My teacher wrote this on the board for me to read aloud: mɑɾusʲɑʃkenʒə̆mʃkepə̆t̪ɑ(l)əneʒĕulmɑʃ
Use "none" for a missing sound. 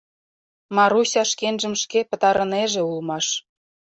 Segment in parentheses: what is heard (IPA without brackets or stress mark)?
ɾ